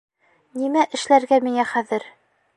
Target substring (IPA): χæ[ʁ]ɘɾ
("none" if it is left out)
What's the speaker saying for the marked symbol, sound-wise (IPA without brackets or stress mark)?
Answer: ð